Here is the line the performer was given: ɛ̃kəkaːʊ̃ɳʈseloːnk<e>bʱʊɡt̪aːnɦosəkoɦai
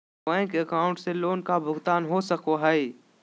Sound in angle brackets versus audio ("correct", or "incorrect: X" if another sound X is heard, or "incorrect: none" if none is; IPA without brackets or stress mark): incorrect: a